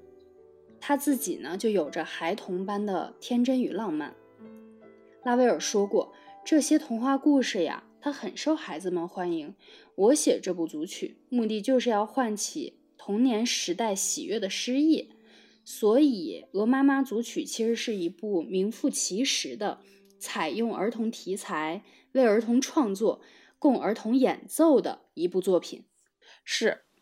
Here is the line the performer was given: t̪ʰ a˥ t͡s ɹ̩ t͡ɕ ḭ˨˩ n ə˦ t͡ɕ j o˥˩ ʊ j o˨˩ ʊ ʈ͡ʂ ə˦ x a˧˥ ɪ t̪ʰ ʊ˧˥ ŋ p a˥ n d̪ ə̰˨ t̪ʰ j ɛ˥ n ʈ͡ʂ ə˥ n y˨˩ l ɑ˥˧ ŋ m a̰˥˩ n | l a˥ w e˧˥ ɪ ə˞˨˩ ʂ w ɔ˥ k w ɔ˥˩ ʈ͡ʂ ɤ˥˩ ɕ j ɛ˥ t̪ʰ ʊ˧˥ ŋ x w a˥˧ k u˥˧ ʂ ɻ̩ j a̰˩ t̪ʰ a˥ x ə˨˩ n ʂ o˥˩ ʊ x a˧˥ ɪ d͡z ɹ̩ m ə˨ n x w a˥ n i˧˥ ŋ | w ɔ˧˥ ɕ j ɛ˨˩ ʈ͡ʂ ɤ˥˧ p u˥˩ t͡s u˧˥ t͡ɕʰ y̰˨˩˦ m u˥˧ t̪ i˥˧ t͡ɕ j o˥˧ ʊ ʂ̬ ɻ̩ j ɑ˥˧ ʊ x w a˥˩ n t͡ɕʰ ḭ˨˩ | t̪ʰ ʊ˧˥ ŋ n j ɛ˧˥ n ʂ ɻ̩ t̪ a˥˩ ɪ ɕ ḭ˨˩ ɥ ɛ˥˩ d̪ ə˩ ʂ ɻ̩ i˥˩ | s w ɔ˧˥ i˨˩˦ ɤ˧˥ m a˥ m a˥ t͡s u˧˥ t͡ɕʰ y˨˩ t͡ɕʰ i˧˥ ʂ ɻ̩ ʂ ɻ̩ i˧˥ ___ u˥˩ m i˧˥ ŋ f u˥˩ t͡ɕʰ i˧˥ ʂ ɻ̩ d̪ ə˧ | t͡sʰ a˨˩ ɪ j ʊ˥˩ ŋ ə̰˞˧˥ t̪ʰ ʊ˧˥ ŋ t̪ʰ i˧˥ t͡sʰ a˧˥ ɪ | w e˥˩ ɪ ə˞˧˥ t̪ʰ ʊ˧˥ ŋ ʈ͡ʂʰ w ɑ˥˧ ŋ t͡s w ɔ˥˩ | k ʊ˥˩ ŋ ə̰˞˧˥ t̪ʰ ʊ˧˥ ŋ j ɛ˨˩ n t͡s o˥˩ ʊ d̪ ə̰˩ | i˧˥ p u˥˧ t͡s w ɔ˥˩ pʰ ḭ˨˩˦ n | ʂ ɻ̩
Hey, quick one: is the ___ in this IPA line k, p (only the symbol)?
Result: p